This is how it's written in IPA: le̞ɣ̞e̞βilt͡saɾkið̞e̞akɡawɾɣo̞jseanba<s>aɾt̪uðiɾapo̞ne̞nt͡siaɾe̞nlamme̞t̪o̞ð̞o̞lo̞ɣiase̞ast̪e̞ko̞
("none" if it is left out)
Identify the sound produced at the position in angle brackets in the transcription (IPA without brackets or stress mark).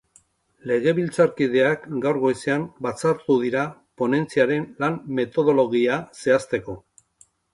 t͡s